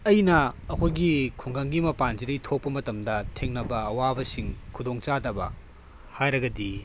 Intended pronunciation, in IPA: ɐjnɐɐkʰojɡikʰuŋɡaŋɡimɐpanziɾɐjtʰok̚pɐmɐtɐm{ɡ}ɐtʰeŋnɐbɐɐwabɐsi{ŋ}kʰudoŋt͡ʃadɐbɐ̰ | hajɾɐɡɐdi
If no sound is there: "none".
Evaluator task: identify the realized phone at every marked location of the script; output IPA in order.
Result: d, ŋ

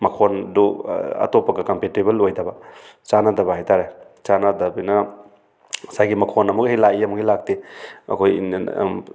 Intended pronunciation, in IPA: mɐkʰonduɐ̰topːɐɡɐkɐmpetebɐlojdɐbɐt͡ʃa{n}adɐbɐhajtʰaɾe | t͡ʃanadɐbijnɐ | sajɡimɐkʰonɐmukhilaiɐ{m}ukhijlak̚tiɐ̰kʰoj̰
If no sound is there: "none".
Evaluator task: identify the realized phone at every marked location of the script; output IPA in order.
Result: n, m

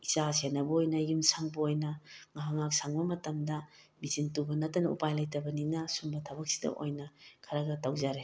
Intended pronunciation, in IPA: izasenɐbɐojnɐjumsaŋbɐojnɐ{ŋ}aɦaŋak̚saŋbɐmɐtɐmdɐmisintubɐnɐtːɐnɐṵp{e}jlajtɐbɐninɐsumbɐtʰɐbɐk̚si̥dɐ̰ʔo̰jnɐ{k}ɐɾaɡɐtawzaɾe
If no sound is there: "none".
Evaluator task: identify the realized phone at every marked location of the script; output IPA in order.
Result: ŋ, a, kʰ

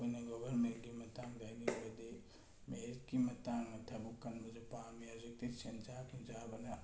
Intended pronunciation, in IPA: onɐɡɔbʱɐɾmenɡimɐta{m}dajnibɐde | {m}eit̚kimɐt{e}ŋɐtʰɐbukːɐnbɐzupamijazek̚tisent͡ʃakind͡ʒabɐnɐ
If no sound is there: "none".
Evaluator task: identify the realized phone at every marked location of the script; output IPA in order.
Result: ŋ, m, a

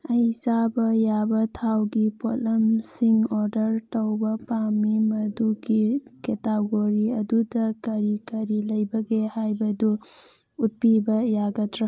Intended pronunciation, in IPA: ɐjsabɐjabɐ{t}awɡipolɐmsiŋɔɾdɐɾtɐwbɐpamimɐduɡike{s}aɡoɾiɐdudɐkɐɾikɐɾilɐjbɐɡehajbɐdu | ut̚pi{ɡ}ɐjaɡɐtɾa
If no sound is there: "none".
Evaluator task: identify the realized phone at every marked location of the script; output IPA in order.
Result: tʰ, t, b

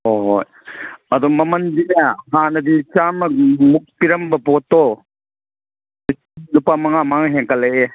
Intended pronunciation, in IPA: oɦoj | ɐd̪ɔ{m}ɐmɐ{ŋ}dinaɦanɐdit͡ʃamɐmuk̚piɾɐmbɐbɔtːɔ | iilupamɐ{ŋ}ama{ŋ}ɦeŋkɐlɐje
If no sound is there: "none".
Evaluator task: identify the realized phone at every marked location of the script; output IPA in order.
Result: m, n, ŋ, ŋ

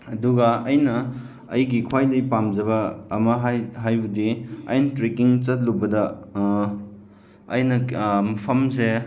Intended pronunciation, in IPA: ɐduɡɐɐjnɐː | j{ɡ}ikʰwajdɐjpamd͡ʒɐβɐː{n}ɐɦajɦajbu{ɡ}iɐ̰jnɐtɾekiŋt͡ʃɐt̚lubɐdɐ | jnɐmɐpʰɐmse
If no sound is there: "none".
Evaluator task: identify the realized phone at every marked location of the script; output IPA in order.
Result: ɡ, m, d

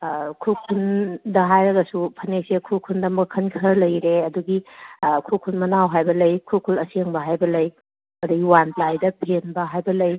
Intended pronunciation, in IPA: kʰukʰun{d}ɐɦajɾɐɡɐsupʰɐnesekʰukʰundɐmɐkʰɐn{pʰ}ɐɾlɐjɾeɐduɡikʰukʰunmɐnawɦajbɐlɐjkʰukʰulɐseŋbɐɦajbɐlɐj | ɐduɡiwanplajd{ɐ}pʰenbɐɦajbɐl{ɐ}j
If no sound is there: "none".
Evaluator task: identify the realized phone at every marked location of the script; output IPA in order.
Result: d, kʰ, ɐ, ɐ

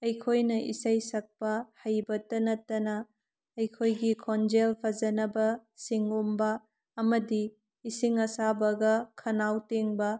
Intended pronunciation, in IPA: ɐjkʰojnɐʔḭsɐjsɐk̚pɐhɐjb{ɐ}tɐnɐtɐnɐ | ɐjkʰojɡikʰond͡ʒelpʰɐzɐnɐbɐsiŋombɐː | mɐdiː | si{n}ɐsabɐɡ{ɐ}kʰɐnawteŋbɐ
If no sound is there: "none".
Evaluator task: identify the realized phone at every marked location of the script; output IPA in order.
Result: ɐ, ŋ, ɐ

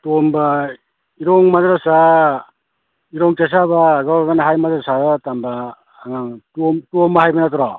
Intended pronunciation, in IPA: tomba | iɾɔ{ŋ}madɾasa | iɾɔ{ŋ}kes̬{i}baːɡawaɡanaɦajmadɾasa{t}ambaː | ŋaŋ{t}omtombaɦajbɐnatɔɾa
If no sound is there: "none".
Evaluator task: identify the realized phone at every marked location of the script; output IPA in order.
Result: ŋ, ŋ, a, t, t

